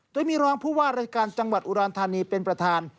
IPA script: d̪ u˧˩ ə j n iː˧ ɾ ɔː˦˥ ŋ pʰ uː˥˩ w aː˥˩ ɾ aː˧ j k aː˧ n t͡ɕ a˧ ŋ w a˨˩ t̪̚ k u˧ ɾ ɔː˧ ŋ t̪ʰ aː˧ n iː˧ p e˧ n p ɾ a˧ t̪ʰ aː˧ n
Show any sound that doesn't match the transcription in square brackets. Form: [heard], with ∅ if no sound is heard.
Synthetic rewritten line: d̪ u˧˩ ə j [m] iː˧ ɾ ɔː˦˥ ŋ pʰ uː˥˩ w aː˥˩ ɾ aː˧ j k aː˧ n t͡ɕ a˧ ŋ w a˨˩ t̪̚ [ʔ] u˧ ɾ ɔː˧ [n] t̪ʰ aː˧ n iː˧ p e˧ n p ɾ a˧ t̪ʰ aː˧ n

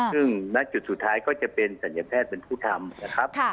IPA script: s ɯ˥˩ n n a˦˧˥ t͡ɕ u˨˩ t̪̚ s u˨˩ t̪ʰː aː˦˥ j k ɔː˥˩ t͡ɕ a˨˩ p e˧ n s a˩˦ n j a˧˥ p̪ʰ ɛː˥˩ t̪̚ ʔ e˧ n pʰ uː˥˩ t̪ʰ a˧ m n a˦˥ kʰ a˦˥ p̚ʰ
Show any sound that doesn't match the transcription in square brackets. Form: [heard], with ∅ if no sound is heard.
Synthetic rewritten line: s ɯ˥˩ [ŋ] n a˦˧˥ t͡ɕ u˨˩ t̪̚ s u˨˩ t̪ʰː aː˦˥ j k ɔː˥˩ t͡ɕ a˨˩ p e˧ n s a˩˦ n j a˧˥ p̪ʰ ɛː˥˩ t̪̚ [p] e˧ n pʰ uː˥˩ t̪ʰ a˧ m n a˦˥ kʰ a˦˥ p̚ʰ

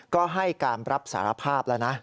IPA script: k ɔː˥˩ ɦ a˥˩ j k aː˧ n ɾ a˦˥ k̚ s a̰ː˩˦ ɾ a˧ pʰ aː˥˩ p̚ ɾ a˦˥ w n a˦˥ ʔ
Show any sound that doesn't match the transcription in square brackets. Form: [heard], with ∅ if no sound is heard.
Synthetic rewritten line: k ɔː˥˩ ɦ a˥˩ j k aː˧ n ɾ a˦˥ [p̚] s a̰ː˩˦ ɾ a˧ pʰ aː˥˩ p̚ [l] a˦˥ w n a˦˥ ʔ

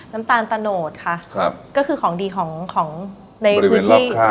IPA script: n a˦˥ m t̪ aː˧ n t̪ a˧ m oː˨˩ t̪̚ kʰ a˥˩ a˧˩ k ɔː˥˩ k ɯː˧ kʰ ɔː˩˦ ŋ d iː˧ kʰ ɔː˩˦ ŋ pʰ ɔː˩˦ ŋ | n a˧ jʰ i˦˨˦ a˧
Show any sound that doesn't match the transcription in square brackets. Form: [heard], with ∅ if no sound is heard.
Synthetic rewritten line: n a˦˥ m t̪ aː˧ n t̪ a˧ [n] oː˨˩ t̪̚ kʰ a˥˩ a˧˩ k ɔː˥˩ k ɯː˧ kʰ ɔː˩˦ ŋ d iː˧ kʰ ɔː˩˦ ŋ [kʰ] ɔː˩˦ ŋ | n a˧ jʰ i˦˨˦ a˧

